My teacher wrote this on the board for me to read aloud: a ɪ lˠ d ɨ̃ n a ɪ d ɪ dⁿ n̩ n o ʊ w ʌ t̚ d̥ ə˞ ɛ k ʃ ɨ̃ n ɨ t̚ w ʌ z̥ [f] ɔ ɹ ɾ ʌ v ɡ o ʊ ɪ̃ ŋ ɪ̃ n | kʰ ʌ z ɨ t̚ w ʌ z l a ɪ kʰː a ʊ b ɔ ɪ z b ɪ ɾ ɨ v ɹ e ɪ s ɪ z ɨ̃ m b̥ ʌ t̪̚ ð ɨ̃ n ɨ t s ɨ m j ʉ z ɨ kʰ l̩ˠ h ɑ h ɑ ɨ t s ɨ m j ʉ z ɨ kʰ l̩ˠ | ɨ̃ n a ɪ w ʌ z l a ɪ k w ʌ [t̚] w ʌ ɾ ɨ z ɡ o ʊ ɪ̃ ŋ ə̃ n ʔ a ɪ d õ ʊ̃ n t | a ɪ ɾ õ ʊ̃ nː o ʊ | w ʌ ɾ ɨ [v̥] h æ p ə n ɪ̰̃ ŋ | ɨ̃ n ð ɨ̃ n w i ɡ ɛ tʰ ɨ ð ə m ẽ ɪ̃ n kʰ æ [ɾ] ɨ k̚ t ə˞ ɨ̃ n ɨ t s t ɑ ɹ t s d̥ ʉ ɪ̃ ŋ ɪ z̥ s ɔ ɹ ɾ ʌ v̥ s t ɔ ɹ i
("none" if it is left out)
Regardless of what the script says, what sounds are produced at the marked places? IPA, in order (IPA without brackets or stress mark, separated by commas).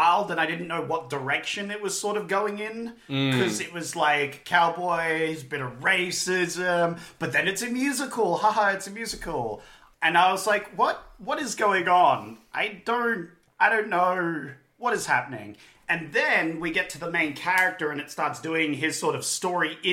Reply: s, t̚, z̥, ɹ